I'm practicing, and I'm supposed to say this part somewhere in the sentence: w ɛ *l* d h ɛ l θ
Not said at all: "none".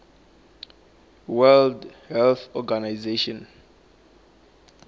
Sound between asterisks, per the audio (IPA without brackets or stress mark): l